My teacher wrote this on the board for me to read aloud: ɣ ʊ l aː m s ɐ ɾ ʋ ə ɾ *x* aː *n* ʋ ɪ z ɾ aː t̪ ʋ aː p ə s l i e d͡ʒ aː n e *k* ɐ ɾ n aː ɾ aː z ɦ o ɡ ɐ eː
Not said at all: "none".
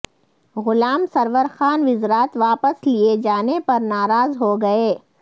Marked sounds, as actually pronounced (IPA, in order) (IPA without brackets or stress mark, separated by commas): x, n, p